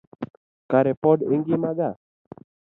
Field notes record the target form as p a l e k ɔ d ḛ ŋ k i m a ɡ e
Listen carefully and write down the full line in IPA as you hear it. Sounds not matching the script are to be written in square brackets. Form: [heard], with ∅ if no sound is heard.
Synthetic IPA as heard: [k] a [ɾ] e [p] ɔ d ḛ ŋ [ɡ] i m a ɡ [a]